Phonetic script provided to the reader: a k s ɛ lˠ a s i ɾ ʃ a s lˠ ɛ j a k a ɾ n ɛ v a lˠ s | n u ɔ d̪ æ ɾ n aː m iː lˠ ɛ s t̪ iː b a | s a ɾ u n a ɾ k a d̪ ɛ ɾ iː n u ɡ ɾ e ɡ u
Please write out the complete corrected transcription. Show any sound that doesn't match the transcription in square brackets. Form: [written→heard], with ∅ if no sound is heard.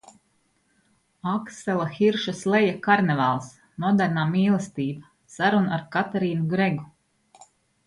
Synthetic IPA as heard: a k s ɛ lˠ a [s→x] i ɾ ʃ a s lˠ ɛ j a k a ɾ n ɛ v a lˠ s | n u ɔ d̪ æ ɾ n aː m iː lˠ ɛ s t̪ iː b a | s a ɾ u n a ɾ k a [d̪→t̪] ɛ ɾ iː n u ɡ ɾ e ɡ u

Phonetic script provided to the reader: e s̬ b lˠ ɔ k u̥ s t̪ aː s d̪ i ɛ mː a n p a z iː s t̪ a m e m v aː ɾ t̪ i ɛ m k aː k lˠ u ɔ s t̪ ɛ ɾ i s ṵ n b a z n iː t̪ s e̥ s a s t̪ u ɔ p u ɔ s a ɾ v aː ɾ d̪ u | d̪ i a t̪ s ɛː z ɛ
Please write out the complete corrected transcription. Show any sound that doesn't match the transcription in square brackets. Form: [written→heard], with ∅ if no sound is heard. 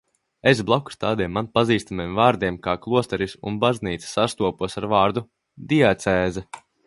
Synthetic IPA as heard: e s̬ b lˠ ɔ k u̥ s t̪ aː [s→∅] d̪ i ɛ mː a n p a z iː s t̪ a m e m v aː ɾ [t̪→d̪] i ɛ m k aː k lˠ u ɔ s t̪ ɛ ɾ i s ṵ n b a z n iː t̪ s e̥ s a s t̪ u ɔ p u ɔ s a ɾ v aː ɾ d̪ u | d̪ i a t̪ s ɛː z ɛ

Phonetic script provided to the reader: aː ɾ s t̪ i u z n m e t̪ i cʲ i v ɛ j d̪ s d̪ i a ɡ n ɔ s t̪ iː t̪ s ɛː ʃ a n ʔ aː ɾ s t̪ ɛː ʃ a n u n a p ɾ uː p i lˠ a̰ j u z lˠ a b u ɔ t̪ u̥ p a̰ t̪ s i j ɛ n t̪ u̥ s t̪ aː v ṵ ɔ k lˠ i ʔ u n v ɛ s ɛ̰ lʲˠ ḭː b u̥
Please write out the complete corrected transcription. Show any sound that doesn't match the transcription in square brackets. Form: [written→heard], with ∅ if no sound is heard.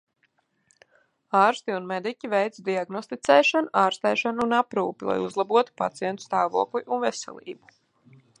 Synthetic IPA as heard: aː ɾ s t̪ i u [z→∅] n m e [t̪→d̪] i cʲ i v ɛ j [d̪→t̪] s d̪ i a ɡ n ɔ s t̪ [iː→i] t̪ s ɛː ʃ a n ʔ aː ɾ s t̪ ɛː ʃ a n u n a p ɾ uː p i lˠ a̰ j u z lˠ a b u ɔ t̪ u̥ p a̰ t̪ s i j ɛ n t̪ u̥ s t̪ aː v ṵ ɔ k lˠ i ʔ u n v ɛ s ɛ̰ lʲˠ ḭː b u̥

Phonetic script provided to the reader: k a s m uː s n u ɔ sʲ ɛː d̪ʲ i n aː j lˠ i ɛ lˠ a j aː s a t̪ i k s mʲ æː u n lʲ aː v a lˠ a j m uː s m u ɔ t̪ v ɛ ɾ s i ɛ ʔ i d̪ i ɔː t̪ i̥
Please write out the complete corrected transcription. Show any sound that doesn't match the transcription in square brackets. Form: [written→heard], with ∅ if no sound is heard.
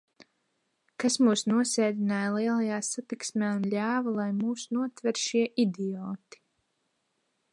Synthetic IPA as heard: k a s m uː s n u ɔ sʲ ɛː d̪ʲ i n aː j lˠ i ɛ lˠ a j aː s a t̪ i k s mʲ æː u n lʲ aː v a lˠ a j m uː s [m→n] u ɔ t̪ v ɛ ɾ [s→ʃ] i ɛ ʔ i d̪ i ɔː t̪ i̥

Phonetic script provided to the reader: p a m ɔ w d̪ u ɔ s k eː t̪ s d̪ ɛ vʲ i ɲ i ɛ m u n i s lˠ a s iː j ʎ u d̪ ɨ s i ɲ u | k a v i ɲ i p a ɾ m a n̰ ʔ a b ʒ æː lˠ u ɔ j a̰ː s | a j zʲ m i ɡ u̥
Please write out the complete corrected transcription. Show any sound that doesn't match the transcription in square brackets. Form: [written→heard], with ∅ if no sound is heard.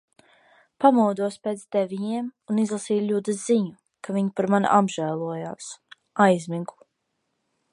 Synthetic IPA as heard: p a m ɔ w d̪ u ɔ s [k→p] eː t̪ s d̪ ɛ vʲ i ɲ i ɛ m u n i [s→z] lˠ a s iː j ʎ u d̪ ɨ [s→z] i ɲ u | k a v i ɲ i p a ɾ m a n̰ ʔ a b ʒ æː lˠ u ɔ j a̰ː s | a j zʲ m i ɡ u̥

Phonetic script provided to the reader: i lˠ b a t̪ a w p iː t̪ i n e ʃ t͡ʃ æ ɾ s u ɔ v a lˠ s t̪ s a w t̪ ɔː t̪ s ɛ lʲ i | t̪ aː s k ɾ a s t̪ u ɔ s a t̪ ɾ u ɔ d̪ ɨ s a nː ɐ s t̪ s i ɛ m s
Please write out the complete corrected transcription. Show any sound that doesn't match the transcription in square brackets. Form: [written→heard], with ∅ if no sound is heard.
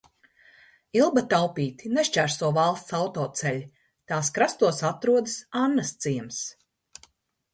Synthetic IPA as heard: i lˠ b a t̪ a w p iː t̪ i n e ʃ t͡ʃ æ ɾ s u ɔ v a lˠ s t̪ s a w t̪ ɔː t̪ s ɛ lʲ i | t̪ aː s k ɾ a s t̪ u ɔ s a t̪ ɾ u ɔ d̪ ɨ s a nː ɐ s t̪ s i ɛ m s

